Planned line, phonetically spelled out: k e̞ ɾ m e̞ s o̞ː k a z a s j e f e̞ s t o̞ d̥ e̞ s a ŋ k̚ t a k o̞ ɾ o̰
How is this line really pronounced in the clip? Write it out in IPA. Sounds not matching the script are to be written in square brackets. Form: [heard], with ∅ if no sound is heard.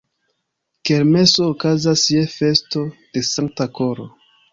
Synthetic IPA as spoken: k e̞ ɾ m e̞ s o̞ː k a z a s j e f e̞ s t o̞ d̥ e̞ s a ŋ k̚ t a k o̞ ɾ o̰